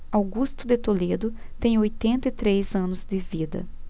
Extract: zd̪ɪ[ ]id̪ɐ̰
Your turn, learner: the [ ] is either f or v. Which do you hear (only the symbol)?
v